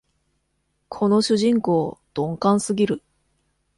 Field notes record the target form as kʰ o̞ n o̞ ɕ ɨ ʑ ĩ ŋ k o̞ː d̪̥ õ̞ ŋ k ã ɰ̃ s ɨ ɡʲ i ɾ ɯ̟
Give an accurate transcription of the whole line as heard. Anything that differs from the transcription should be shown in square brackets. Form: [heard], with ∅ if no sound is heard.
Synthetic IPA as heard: kʰ o̞ n o̞ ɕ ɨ ʑ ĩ ŋ k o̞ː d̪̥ õ̞ ŋ k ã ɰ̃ s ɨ ɡʲ i ɾ ɯ̟